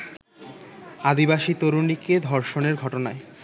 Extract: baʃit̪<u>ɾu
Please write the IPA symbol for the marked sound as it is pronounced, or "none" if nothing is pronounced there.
o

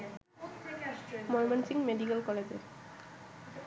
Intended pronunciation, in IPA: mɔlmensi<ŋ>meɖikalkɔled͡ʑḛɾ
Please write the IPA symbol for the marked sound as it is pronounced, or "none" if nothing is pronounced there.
ŋ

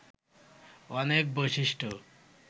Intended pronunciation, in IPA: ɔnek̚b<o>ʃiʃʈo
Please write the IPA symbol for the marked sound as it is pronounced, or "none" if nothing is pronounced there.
o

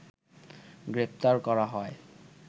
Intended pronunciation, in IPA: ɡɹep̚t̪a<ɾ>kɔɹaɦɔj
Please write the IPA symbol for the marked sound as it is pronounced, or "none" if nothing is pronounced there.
ɹ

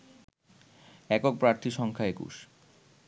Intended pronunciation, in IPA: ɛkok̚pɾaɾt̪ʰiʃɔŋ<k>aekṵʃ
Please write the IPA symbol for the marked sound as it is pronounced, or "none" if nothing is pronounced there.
kʰ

